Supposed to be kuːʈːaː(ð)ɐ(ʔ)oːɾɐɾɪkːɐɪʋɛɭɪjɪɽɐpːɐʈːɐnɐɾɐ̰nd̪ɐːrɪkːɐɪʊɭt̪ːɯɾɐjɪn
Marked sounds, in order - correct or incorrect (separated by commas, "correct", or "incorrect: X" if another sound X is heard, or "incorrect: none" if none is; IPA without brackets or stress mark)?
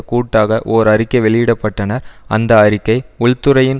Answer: incorrect: ɣ, correct